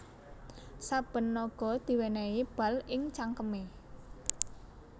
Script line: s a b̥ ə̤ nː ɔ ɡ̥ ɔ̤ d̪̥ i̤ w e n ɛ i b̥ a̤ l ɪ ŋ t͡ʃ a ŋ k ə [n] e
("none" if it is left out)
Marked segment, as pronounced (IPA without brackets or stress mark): m